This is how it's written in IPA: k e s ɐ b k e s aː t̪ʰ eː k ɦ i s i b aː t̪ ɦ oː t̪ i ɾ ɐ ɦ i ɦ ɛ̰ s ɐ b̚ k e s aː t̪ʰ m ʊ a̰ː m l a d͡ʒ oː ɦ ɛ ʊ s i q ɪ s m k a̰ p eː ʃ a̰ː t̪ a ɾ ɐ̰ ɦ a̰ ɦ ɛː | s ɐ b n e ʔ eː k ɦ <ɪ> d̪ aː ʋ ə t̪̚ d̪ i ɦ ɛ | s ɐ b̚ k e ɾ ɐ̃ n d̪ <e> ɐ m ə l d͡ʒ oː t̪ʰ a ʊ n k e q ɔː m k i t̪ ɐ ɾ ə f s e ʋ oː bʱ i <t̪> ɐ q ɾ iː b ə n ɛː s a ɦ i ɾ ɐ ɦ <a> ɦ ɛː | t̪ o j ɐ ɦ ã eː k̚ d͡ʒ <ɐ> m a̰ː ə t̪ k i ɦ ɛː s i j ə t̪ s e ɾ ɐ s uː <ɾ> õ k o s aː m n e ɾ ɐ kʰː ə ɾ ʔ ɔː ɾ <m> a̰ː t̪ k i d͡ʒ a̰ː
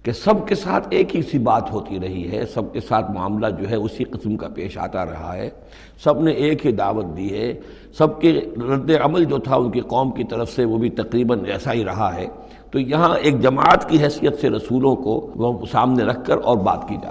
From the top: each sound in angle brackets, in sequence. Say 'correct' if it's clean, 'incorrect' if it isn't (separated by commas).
incorrect, correct, correct, correct, correct, incorrect, incorrect